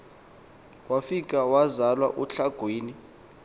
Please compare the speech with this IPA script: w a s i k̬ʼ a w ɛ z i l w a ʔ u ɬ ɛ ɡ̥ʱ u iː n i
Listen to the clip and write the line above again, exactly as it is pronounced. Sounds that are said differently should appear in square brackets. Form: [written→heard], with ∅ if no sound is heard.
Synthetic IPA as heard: w a [s→f] i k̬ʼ a w [ɛ→a] z [i→a] l w a ʔ u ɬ [ɛ→a] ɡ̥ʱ [u→w] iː n i